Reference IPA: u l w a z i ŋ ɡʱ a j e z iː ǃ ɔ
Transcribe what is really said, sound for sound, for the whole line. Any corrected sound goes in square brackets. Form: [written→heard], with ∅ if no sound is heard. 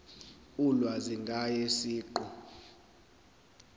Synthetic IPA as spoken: u l w a z i ŋ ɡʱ a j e [z→s] iː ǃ ɔ